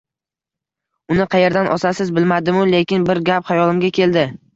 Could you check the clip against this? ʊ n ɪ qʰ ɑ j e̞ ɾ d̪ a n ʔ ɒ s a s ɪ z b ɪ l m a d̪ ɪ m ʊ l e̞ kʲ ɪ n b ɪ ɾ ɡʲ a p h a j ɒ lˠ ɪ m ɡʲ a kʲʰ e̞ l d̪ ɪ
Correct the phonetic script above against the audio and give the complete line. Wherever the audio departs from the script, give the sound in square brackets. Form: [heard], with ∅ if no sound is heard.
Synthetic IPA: ʊ n ɪ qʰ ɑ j e̞ ɾ d̪ a n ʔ ɒ s a s ɪ z b ɪ l m a d̪ ɪ m ʊ l e̞ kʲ ɪ n b ɪ ɾ ɡʲ a p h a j ɒ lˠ ɪ m ɡʲ a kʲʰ e̞ l d̪ ɪ